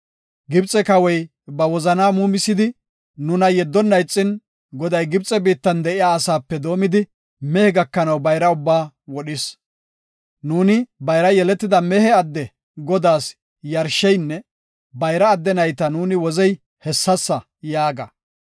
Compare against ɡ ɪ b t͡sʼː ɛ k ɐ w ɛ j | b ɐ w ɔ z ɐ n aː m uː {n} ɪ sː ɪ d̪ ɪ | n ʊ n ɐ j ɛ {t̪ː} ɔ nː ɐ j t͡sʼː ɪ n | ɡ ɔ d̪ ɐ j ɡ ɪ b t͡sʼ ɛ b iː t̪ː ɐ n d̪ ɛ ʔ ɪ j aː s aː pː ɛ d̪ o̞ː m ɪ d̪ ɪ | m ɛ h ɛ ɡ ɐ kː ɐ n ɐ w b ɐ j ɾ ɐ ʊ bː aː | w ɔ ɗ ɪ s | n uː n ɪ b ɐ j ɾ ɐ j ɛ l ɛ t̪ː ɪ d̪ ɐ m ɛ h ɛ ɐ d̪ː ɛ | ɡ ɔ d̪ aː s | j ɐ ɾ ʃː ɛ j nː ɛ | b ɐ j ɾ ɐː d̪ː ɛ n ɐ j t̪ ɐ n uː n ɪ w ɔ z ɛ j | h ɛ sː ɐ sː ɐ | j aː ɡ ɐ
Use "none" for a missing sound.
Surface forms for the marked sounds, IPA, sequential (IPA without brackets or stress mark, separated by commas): m, d̪ː